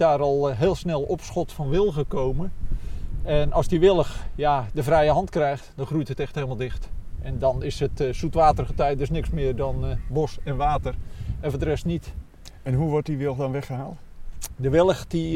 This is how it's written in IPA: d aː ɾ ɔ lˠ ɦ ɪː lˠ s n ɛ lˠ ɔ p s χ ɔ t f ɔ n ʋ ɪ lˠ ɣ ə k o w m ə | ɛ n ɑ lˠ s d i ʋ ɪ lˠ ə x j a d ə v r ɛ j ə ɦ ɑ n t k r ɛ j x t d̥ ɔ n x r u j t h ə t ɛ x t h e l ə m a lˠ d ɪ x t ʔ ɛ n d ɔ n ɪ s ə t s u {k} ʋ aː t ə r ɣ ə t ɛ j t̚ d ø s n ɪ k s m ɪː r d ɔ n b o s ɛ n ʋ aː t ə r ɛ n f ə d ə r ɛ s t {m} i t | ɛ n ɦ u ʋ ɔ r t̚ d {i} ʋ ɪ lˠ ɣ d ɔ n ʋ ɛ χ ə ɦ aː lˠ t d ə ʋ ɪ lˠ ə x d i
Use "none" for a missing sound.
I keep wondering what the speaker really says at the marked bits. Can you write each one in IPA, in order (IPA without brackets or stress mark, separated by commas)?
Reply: t, n, i